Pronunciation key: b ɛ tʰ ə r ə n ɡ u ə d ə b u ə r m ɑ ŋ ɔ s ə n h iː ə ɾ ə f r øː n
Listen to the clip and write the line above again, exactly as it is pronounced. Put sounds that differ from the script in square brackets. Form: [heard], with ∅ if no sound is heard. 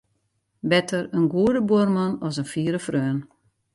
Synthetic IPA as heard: b ɛ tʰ ə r ə n ɡ u ə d ə b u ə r m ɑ [n] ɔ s ə n [f] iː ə ɾ ə f r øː n